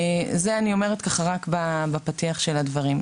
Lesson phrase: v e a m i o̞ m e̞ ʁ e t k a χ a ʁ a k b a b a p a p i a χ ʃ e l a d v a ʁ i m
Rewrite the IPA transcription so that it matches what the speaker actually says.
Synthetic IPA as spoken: z e a n i o̞ m e̞ ʁ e t k a χ a ʁ a k b a b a p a t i a χ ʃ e l a d v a ʁ i m